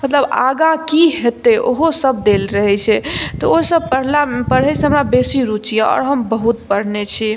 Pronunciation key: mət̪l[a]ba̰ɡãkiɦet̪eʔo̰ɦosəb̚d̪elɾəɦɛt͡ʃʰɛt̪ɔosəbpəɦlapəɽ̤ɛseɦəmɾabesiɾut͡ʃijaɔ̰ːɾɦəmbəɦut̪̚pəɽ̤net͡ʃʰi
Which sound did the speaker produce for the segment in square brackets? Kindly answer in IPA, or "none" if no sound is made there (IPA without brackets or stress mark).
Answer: ə